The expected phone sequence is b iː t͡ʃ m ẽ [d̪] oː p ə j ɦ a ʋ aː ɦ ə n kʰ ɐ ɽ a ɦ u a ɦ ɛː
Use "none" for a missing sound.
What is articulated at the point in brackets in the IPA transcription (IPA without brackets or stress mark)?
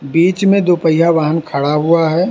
d̪